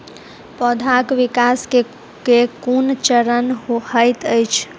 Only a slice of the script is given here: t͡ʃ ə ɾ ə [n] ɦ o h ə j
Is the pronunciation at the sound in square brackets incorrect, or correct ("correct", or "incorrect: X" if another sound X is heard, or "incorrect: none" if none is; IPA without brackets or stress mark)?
correct